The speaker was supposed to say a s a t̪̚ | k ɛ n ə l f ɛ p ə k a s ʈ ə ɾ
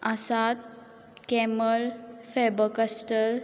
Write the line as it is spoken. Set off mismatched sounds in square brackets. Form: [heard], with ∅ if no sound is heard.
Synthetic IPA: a s a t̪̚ | k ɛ [m] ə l f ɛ [b] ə k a s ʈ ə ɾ